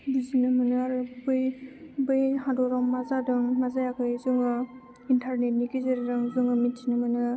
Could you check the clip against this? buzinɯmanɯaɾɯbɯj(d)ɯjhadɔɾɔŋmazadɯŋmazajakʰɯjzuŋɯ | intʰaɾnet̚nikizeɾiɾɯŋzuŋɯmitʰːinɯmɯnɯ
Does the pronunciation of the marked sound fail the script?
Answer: yes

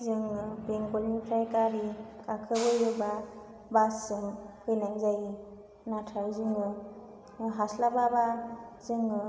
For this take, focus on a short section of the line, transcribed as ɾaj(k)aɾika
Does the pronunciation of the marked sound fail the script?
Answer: no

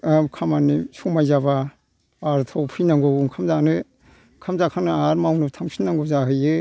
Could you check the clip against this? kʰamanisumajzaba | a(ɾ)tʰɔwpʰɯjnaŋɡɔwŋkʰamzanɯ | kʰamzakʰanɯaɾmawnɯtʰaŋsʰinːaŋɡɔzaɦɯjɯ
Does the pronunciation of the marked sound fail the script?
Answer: no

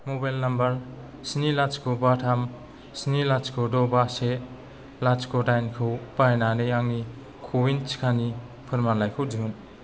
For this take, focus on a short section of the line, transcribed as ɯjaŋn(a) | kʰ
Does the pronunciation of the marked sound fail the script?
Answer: yes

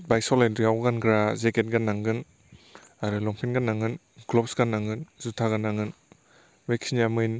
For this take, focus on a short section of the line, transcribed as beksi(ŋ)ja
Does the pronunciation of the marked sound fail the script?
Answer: yes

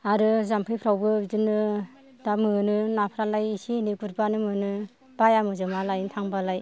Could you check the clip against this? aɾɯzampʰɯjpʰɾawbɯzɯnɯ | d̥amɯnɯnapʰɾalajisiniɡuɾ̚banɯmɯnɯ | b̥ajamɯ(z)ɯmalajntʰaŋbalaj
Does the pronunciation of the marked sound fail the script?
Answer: no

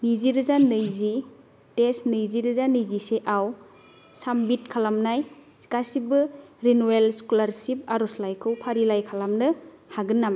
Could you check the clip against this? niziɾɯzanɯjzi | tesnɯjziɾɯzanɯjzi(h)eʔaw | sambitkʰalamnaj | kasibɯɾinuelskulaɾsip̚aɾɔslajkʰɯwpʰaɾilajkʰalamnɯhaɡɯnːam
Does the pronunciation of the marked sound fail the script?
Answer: yes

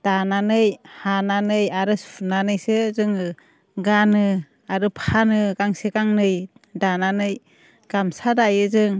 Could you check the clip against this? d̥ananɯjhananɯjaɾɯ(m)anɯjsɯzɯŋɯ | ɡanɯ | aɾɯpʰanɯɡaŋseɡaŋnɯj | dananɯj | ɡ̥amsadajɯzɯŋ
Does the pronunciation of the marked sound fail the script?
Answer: yes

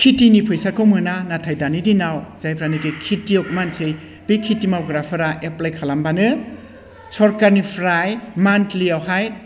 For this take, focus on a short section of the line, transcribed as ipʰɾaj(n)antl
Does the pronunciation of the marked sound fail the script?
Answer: yes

